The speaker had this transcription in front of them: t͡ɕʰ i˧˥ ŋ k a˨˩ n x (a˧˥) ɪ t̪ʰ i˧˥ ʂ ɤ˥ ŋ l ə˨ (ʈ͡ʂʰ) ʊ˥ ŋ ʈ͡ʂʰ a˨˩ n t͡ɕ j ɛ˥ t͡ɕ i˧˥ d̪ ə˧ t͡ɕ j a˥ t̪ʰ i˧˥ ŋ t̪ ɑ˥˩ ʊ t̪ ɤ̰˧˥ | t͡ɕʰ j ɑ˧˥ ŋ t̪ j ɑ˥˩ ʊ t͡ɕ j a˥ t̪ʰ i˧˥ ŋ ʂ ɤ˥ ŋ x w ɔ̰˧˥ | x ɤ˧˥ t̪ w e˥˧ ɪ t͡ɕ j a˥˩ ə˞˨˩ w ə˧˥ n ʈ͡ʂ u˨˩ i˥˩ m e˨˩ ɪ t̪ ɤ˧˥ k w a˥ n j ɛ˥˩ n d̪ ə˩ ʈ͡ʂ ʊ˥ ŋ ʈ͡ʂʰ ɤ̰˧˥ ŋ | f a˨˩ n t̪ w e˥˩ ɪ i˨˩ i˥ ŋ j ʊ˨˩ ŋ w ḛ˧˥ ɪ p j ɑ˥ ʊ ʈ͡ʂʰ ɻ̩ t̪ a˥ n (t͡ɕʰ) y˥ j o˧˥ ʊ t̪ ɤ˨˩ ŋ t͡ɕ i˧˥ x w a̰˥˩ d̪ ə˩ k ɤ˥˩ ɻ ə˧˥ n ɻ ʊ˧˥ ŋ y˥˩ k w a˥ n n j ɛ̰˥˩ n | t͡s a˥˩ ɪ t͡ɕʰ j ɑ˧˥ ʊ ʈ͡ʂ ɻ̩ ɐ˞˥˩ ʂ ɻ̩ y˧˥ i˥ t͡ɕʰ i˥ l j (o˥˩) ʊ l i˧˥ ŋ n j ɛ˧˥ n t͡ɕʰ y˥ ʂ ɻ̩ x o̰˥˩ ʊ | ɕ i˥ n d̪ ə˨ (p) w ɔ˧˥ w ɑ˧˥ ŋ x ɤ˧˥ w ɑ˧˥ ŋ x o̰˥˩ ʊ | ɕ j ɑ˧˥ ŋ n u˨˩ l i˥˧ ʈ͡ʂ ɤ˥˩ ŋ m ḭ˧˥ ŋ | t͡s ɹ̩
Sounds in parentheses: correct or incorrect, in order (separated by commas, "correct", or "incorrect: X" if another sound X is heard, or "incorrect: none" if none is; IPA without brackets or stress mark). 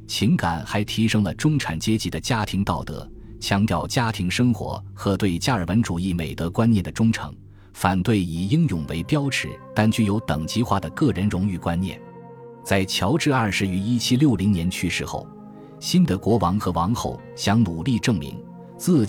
correct, incorrect: ʈ͡ʂ, incorrect: t͡ɕ, correct, incorrect: k